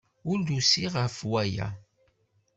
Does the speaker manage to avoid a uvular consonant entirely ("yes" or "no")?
no